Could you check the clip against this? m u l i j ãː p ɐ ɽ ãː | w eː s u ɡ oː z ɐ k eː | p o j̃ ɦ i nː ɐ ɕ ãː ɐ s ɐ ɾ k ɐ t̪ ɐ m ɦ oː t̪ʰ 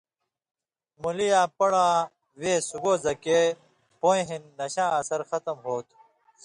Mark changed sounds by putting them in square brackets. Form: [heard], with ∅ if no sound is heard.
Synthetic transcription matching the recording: m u l i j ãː p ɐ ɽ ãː | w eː s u ɡ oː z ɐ k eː | p o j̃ ɦ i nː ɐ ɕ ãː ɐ s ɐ ɾ [x] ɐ t̪ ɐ m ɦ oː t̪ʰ